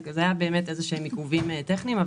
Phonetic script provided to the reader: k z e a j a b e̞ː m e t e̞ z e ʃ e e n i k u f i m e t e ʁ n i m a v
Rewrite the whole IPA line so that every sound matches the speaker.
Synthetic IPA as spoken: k z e a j a b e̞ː m e t e̞ z e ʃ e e m i k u v i m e t e χ n i m a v